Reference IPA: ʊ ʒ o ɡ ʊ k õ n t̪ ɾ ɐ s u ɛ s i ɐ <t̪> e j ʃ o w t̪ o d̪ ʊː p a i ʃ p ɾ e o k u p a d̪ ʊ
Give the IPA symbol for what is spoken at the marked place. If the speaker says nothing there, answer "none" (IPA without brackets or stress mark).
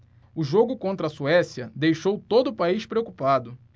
d̪